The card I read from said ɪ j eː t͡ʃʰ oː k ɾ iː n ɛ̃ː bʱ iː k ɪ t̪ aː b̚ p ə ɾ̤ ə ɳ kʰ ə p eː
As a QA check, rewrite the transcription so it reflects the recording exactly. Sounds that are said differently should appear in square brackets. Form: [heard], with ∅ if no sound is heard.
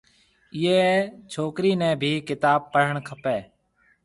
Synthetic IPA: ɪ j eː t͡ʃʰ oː k ɾ iː n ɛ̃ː bʱ iː k ɪ t̪ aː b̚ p ə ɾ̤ ə ɳ kʰ ə p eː